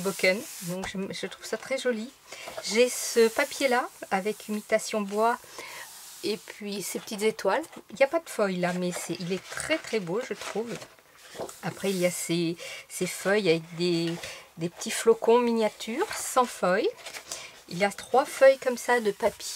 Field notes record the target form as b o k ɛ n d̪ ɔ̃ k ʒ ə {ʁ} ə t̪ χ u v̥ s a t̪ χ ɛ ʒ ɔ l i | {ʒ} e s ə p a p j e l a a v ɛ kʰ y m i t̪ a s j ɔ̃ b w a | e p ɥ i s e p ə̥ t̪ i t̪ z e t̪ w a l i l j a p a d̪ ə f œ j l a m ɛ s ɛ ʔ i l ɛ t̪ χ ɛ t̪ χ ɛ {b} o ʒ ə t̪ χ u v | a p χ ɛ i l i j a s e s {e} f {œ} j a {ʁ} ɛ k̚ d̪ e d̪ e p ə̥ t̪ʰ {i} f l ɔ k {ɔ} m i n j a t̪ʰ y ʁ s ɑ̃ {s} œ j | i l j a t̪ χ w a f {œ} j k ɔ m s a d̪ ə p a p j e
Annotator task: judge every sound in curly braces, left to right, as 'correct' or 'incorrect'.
incorrect: ʒ, correct, correct, correct, correct, incorrect: v, correct, incorrect: ɔ̃, incorrect: f, correct

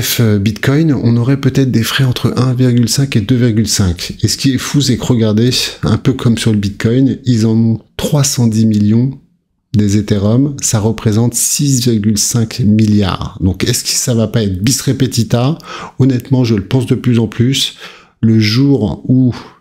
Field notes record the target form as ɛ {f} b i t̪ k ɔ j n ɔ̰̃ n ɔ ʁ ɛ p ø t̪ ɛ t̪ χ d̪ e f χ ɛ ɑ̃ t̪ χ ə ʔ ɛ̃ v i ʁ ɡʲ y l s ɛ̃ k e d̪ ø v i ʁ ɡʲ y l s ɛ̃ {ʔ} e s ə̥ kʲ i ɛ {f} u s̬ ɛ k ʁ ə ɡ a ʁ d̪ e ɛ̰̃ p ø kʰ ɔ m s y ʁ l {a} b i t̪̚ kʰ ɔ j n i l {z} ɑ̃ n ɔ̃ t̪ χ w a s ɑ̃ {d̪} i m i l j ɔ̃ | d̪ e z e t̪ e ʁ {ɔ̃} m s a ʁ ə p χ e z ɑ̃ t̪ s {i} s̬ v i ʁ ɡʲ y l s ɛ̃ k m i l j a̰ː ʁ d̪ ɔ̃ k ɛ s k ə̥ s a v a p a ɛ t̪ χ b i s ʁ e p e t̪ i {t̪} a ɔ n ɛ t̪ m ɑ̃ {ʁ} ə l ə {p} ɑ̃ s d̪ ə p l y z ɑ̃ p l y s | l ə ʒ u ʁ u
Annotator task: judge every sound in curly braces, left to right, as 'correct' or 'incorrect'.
correct, incorrect: k, correct, incorrect: ə, correct, correct, incorrect: ɔ, correct, correct, incorrect: ʒ, correct

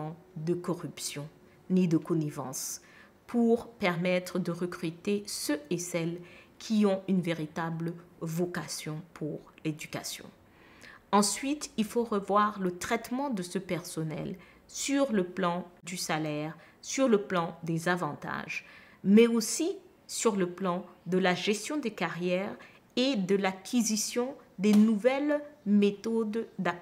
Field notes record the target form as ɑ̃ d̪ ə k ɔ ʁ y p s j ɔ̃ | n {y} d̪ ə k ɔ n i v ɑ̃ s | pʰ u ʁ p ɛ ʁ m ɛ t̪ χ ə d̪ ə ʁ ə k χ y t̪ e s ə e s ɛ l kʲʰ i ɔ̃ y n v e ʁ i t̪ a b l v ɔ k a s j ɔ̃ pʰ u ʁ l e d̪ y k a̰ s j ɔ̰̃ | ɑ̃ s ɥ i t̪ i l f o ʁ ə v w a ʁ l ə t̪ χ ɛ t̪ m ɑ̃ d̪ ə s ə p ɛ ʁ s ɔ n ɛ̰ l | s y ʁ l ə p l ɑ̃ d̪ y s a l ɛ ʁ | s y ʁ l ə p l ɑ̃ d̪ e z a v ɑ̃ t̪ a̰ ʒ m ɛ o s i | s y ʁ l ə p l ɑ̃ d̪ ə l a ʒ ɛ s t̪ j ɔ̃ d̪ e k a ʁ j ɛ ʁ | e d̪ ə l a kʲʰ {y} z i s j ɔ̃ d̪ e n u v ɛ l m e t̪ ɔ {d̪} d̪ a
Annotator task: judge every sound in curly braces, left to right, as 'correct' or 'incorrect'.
incorrect: i, incorrect: i, correct

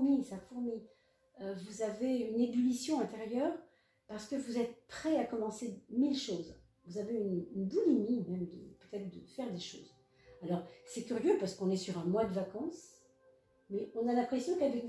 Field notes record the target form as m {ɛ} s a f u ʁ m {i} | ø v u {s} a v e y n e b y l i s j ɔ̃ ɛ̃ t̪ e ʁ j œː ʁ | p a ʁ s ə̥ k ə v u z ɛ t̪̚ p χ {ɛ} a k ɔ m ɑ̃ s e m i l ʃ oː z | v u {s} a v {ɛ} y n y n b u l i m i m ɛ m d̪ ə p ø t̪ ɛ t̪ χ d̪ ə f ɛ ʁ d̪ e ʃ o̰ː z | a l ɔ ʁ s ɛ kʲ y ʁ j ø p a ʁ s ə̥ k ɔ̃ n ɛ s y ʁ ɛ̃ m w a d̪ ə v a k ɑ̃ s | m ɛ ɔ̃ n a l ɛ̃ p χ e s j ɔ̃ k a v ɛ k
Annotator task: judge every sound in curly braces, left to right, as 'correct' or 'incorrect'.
incorrect: i, correct, incorrect: z, correct, incorrect: z, incorrect: e

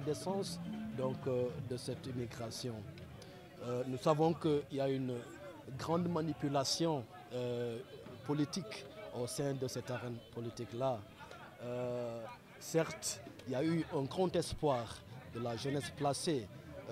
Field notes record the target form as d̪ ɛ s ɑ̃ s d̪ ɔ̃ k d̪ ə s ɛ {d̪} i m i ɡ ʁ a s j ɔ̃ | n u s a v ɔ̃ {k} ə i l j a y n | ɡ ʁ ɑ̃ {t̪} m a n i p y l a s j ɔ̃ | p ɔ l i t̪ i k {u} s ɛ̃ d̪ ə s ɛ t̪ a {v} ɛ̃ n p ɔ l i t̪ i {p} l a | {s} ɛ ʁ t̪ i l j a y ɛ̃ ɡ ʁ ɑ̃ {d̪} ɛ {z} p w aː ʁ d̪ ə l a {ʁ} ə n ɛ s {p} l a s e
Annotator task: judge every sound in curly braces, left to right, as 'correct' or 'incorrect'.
incorrect: t̪, correct, incorrect: d̪, incorrect: o, incorrect: ʁ, incorrect: k, correct, incorrect: t̪, incorrect: s, incorrect: ʒ, correct

